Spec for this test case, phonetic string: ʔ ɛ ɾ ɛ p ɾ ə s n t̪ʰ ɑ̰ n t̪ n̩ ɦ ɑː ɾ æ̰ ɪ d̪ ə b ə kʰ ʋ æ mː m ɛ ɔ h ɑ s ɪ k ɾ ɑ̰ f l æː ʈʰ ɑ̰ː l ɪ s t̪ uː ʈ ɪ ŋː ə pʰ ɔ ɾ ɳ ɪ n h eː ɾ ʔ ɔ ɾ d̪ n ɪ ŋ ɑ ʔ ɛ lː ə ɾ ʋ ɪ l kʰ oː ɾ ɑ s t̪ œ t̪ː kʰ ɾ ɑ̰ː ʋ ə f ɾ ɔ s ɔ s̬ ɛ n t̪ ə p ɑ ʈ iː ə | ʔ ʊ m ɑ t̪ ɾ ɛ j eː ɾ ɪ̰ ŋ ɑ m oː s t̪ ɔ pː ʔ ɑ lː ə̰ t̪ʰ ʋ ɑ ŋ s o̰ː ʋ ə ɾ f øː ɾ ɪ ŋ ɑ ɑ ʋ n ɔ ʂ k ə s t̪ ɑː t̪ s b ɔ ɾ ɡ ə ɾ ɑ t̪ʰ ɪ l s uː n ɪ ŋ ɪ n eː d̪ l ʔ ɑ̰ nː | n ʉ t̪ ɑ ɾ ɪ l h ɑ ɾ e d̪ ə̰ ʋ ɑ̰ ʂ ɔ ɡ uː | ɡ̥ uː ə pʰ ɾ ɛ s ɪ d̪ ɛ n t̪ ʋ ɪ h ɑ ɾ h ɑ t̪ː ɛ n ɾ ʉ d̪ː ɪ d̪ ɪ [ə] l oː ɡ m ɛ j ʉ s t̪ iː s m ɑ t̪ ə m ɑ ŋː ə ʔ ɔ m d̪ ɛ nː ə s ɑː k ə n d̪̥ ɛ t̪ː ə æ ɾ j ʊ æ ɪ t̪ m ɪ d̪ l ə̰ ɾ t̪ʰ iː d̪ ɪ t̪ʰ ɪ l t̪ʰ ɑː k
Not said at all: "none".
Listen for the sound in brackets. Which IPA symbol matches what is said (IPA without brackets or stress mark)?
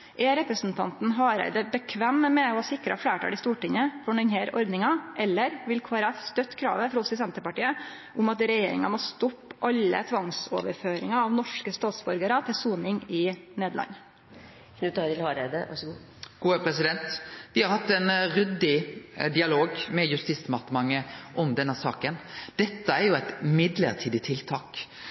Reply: ɑ